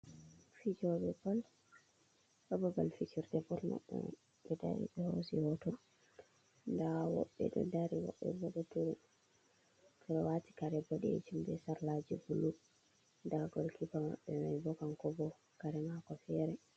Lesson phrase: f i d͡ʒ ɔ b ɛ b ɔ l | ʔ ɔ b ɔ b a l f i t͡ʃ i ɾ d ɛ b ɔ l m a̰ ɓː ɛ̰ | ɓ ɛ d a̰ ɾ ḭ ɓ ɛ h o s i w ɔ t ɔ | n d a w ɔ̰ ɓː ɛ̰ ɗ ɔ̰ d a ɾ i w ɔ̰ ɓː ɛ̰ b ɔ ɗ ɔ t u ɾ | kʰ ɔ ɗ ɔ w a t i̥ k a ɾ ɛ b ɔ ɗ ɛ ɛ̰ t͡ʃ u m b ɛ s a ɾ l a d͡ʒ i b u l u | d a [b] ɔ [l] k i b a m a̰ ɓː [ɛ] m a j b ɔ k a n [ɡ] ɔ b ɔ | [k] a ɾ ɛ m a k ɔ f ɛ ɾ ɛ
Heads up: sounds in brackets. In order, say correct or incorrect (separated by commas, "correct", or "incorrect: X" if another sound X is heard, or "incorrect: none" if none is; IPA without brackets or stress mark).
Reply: incorrect: ɡ, correct, correct, incorrect: k, correct